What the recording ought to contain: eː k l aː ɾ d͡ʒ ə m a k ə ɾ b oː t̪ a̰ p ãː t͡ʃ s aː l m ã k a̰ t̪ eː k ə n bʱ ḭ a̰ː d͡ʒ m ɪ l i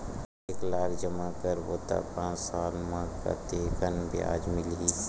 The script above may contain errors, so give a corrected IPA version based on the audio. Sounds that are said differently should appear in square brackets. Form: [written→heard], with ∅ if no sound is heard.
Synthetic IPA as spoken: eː k l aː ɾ d͡ʒ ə m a k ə ɾ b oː t̪ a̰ p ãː t͡ʃ s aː l m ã k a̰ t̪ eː k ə n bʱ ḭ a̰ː d͡ʒ m ɪ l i